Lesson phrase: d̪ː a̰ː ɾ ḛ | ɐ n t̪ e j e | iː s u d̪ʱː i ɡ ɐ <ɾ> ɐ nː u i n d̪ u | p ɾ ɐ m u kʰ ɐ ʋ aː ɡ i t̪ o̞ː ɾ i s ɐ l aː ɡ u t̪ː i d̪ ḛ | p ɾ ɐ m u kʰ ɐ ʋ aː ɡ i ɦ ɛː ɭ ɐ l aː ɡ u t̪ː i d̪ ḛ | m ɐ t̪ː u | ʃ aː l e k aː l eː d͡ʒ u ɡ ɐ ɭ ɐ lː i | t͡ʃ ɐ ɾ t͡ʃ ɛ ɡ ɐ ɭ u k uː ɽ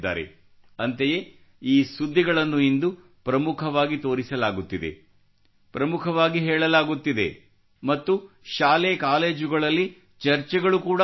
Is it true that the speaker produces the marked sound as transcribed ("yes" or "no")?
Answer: no